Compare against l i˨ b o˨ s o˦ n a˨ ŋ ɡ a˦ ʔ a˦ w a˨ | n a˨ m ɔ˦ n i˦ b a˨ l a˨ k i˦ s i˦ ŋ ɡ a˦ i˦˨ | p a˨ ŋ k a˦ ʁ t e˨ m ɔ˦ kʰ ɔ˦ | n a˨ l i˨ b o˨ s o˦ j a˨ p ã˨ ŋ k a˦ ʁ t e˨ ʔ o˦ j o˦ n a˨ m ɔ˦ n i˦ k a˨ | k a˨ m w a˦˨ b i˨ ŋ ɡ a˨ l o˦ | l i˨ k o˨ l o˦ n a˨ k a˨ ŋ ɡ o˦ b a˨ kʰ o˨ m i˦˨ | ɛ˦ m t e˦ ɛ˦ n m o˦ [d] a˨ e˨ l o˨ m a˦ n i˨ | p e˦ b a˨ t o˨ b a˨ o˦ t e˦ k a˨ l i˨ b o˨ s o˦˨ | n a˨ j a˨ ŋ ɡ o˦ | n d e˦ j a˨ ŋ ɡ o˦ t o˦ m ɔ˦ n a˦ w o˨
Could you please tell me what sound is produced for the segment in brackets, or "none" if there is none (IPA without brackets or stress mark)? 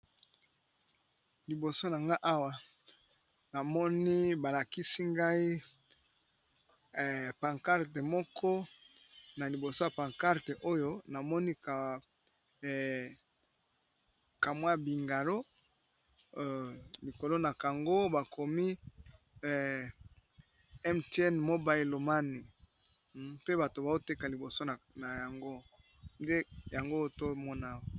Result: b